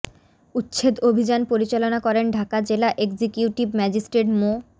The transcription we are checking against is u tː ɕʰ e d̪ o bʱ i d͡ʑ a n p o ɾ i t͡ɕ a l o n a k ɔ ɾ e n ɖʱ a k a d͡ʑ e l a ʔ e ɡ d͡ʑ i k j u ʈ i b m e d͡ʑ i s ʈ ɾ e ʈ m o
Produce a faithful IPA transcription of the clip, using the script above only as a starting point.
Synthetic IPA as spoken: u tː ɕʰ e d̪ o bʱ i d͡ʑ a n p o ɾ i t͡ɕ a l o n a k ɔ ɾ e n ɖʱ a k a d͡ʑ e l a ʔ e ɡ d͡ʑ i k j u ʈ i b m ɛ d͡ʑ i s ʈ ɾ e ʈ m o